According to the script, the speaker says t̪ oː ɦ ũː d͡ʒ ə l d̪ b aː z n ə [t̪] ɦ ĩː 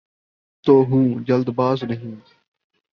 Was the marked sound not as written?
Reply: yes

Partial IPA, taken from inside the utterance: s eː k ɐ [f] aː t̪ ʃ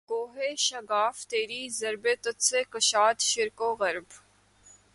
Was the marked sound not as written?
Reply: yes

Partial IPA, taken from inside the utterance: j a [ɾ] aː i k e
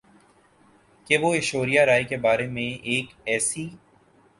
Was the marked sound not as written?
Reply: no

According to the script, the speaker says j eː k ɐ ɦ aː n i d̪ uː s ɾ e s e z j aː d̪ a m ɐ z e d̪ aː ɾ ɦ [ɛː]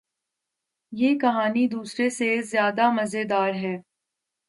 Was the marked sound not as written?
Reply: no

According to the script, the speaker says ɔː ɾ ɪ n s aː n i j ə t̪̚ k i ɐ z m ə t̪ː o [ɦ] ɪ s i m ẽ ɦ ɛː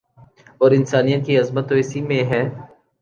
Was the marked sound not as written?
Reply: yes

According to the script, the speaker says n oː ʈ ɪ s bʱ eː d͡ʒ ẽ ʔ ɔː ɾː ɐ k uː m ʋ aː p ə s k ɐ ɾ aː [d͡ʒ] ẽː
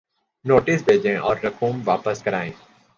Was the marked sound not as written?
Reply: yes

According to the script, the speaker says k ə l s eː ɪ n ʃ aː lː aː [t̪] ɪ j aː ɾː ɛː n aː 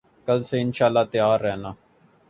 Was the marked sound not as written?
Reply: no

